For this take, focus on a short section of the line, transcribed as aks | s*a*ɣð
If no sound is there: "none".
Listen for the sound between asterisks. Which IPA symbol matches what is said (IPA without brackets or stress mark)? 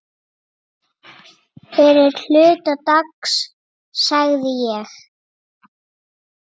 a